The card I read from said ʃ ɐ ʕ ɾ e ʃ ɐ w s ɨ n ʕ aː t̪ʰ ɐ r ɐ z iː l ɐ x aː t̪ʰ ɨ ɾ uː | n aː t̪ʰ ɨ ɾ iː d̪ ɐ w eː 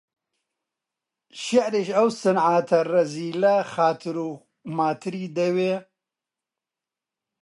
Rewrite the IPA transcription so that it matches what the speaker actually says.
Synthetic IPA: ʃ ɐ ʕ ɾ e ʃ ɐ w s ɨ n ʕ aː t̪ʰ ɐ r ɐ z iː l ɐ x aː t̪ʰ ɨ ɾ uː | m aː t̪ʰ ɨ ɾ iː d̪ ɐ w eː